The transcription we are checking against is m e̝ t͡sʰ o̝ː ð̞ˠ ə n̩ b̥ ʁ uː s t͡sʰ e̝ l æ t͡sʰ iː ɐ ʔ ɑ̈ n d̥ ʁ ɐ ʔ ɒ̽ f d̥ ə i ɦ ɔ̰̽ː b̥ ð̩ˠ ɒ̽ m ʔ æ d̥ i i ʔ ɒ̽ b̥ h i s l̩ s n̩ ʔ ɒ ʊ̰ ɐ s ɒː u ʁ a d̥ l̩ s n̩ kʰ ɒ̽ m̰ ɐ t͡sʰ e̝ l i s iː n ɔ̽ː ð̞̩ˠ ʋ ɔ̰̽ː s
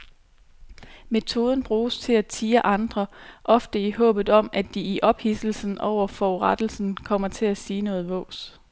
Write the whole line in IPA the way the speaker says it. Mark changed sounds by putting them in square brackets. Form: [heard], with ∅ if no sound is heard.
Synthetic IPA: m e̝ t͡sʰ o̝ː ð̞ˠ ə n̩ b̥ ʁ uː s t͡sʰ e̝ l æ t͡sʰ iː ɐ ʔ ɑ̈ n d̥ ʁ ɐ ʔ ɒ̽ f d̥ ə i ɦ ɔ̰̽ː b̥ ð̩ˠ ɒ̽ m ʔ æ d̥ i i ʔ ɒ̽ b̥ h i s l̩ s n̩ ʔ ɒ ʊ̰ ɐ [f] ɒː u ʁ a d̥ l̩ s n̩ kʰ ɒ̽ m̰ ɐ t͡sʰ e̝ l [æ] s iː n ɔ̽ː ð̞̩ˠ ʋ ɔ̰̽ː s